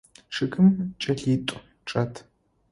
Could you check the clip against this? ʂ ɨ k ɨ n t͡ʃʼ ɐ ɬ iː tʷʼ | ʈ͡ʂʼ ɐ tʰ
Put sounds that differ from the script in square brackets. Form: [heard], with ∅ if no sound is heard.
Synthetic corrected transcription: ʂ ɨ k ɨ [m] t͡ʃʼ ɐ ɬ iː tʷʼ | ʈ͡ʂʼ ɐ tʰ